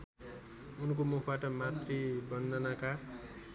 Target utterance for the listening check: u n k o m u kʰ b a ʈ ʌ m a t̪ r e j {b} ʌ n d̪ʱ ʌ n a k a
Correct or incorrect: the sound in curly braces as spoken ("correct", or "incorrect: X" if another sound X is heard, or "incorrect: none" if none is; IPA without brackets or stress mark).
correct